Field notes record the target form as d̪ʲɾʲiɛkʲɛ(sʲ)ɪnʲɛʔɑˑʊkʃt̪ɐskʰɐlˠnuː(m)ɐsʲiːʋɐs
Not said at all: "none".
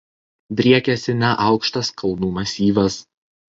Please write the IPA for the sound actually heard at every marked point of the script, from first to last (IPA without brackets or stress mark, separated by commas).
sʲ, m